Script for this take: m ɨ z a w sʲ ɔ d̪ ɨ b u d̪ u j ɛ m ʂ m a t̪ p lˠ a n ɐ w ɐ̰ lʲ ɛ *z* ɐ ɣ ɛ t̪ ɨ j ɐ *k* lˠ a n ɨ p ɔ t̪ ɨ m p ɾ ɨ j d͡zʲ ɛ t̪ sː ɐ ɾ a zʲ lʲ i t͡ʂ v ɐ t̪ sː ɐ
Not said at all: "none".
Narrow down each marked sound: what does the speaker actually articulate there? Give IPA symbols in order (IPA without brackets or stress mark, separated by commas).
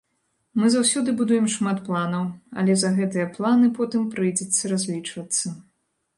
z, p